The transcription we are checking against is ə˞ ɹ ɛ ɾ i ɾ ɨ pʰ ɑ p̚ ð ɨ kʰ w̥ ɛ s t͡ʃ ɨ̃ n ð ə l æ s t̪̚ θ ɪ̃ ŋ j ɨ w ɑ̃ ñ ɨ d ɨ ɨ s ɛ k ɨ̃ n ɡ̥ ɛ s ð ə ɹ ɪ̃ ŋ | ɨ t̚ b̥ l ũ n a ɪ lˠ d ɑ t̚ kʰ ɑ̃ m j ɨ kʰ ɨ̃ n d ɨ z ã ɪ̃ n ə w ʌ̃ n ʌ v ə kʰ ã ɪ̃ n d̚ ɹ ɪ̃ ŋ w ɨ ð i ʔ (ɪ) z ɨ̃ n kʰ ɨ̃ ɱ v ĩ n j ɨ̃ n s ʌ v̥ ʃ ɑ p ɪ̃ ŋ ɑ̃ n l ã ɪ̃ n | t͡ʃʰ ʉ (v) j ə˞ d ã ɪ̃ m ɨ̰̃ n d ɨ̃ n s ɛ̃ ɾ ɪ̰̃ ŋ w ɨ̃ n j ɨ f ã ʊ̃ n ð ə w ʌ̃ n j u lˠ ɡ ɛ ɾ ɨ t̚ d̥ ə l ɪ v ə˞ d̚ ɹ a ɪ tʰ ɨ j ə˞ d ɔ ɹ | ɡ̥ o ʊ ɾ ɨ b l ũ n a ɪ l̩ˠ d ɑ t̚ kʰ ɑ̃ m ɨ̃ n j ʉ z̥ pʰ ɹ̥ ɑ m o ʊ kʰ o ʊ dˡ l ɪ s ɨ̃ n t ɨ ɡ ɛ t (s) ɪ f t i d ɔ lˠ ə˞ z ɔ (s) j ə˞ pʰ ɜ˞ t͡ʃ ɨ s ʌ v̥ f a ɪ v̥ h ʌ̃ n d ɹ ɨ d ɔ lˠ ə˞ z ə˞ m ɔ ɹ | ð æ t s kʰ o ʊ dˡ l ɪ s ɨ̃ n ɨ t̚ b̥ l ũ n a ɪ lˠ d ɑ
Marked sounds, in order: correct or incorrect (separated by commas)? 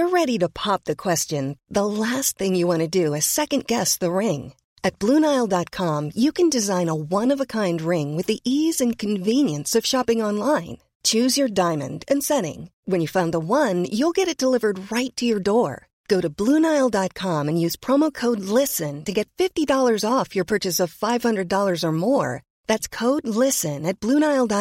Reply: incorrect, incorrect, incorrect, incorrect